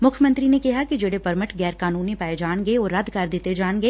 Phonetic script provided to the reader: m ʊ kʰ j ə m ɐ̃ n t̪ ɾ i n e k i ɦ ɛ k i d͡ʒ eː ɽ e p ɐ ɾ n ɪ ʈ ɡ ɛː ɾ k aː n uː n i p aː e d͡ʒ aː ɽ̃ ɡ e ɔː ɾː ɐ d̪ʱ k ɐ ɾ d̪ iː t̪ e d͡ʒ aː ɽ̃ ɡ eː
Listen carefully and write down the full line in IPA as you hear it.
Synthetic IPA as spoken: m ʊ kʰ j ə m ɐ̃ n t̪ ɾ i n e k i ɦ a k i d͡ʒ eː ɽ e p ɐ ɾ m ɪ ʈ ɡ ɛː ɾ k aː n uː n i p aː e d͡ʒ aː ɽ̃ ɡ e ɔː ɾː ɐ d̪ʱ k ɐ ɾ d̪ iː t̪ e d͡ʒ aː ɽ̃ ɡ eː